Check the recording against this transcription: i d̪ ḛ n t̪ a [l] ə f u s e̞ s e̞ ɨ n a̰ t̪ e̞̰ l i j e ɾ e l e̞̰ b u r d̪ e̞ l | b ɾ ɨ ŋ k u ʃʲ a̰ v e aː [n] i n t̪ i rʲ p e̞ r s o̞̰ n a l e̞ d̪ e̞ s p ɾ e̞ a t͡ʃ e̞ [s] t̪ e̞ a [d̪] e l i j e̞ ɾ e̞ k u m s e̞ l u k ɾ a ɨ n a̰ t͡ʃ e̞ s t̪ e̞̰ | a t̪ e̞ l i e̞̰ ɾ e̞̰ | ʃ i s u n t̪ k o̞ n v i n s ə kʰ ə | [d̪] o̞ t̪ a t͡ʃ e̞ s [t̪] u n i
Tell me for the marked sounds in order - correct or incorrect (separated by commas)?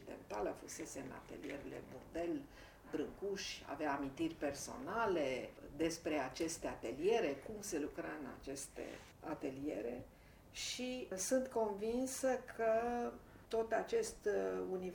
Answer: correct, incorrect, correct, incorrect, incorrect, correct